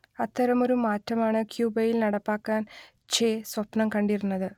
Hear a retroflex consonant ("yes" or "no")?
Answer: yes